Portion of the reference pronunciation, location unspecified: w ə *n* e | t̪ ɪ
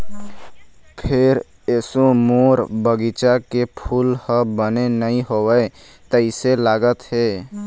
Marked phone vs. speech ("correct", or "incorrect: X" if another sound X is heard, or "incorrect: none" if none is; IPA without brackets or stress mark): incorrect: none